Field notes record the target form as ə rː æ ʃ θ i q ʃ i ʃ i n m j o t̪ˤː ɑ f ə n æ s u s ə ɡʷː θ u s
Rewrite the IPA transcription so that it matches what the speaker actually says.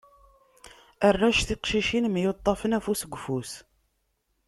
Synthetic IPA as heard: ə rː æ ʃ θ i q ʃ i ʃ i n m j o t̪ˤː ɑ f ə n æ f u s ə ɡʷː f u s